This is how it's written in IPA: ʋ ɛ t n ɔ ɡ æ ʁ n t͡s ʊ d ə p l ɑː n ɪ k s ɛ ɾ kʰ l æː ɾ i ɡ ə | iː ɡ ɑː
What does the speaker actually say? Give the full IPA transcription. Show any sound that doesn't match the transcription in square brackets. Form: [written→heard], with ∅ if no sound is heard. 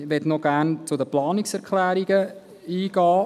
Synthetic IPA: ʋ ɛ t n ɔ ɡ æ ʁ n t͡s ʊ d ə p l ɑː n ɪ k s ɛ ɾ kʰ l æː ɾ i ɡ ə | iː ɡ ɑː